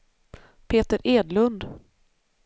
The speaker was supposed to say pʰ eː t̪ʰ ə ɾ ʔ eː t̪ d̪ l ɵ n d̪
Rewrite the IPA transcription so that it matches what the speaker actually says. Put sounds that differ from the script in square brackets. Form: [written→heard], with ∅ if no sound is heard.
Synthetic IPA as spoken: pʰ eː [t̪ʰ→t̪] ə ɾ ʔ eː [t̪→∅] d̪ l ɵ n d̪